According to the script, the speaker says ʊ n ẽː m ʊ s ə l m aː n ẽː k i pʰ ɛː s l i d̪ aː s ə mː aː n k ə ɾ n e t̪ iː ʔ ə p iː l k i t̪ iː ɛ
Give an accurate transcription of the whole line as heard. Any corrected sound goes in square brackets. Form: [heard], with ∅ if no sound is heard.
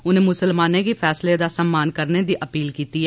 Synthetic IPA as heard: ʊ n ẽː m ʊ s ə l m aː n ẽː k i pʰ ɛː s l [e] d̪ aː s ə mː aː n k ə ɾ n e [d̪] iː ʔ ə p iː l k [iː] t̪ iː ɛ

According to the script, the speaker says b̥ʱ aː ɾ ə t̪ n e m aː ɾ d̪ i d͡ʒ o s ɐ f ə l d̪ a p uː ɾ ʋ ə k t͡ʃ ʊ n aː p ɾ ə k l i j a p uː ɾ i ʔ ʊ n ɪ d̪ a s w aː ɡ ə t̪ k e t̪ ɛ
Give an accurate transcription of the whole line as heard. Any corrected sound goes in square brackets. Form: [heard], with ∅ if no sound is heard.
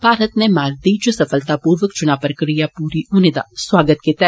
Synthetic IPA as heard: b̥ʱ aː ɾ ə t̪ n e m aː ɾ d̪ i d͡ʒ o s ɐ f ə l [t̪] a p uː ɾ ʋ ə k t͡ʃ ʊ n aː p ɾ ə k [ɾ] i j a p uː ɾ i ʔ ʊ n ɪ d̪ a s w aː ɡ ə t̪ k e t̪ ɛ

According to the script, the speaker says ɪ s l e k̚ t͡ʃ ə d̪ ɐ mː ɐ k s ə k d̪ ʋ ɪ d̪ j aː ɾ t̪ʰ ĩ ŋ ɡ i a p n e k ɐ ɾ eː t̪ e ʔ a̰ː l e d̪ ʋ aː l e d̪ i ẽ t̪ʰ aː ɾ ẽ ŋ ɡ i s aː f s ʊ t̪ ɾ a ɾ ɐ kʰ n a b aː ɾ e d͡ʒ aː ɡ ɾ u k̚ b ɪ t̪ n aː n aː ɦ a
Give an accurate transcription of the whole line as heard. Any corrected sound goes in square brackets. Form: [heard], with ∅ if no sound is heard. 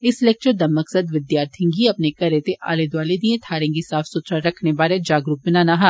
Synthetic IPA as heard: ɪ s l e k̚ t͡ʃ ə d̪ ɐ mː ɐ k s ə [∅] d̪ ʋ ɪ d̪ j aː ɾ t̪ʰ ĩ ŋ ɡ i [ɐ] p n e k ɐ ɾ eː t̪ e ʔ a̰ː l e d̪ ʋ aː l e d̪ i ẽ t̪ʰ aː ɾ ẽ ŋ ɡ i s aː f s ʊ t̪ ɾ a ɾ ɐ kʰ n [e] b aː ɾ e d͡ʒ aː ɡ ɾ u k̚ b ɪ [∅] n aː n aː ɦ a

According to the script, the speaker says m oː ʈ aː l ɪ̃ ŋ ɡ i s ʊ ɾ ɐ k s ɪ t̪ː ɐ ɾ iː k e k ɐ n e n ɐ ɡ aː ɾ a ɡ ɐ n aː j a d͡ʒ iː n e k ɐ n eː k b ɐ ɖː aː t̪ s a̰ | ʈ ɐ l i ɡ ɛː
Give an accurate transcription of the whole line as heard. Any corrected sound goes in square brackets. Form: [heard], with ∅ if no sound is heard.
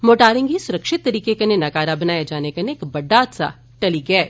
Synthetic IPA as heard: m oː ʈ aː [ɾ] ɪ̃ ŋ ɡ i s ʊ ɾ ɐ k [ʃ] ɪ t̪ː ɐ ɾ iː k e k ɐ n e n ɐ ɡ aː ɾ a [b] ɐ n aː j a d͡ʒ [aː] n e k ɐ n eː k b ɐ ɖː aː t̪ s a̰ | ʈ ɐ l i ɡ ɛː

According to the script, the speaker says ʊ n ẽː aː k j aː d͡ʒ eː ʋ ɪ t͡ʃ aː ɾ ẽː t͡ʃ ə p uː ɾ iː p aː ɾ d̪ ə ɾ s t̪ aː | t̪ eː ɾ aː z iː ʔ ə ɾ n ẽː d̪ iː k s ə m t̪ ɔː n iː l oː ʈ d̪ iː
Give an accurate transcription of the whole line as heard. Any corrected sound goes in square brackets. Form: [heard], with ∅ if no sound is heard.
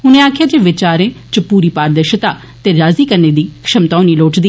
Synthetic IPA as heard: ʊ n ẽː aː [kʰ] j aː d͡ʒ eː ʋ ɪ t͡ʃ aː ɾ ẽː t͡ʃ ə p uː ɾ iː p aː ɾ d̪ ə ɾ [ʃ] t̪ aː | t̪ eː ɾ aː z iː [k] ə ɾ n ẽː d̪ iː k [ʃ] ə m t̪ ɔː n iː l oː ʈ d̪ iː

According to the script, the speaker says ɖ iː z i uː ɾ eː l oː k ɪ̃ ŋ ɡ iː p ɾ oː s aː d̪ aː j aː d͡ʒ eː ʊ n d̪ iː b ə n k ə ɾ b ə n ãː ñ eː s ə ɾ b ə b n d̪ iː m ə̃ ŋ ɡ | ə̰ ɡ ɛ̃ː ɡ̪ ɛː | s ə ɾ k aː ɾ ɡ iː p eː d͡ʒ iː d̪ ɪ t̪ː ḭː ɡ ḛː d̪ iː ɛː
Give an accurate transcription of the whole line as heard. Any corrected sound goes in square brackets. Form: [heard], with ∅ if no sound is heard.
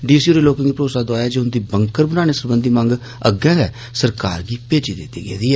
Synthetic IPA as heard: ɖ iː [s] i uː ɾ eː l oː k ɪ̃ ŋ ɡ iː p ɾ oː s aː d̪ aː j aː d͡ʒ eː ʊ n d̪ iː b ə [ŋ] k ə ɾ b ə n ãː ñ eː s ə ɾ b ə [∅] n d̪ iː m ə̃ ŋ ɡ | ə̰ ɡ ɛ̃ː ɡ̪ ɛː | s ə ɾ k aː ɾ ɡ iː p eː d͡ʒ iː d̪ ɪ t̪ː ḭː ɡ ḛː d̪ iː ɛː

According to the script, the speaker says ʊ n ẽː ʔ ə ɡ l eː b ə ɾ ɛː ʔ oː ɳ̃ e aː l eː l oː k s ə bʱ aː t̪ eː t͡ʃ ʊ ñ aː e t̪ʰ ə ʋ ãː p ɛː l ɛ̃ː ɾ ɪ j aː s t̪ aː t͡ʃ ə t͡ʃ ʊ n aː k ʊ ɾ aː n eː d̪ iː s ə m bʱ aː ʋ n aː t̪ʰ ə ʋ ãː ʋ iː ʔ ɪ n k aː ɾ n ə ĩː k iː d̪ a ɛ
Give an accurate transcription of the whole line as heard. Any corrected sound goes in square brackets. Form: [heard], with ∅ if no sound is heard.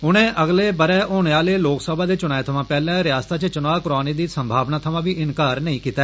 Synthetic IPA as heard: ʊ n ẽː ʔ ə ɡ l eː b ə ɾ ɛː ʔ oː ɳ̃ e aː l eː l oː k s ə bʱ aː [d̪] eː t͡ʃ ʊ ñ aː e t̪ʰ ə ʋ ãː p ɛː l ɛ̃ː ɾ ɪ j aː s t̪ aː t͡ʃ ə t͡ʃ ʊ n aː k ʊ ɾ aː n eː d̪ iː s ə m bʱ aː ʋ n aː t̪ʰ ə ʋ ãː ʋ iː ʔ ɪ n k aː ɾ n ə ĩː k iː [t̪] a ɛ

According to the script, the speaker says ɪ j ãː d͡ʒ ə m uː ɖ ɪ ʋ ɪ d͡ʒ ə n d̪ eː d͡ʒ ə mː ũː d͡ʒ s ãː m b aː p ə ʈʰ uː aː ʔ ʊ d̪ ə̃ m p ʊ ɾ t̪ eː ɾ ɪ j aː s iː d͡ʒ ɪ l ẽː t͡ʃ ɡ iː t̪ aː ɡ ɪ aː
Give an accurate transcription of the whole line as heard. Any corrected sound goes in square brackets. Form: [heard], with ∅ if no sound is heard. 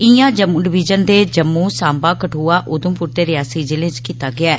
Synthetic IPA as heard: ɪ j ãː d͡ʒ ə m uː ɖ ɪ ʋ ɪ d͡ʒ ə n d̪ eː d͡ʒ ə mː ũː [∅] s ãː m b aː [k] ə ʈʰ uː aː ʔ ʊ d̪ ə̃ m p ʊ ɾ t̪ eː ɾ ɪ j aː s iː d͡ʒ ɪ l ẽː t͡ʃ [k] iː t̪ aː ɡ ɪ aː

